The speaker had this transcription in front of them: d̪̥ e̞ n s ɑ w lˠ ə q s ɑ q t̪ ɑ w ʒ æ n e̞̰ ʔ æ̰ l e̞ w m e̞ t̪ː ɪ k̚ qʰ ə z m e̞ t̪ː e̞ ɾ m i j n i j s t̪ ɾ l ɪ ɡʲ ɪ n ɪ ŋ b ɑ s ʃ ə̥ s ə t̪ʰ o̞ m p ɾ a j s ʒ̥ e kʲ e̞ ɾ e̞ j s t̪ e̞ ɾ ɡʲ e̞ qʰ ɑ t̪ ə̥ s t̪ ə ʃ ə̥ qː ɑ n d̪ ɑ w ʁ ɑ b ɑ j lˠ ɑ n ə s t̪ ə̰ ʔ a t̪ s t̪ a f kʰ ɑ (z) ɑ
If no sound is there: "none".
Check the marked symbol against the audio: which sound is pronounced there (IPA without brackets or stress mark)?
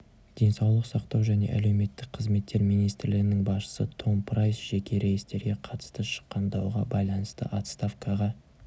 ʁ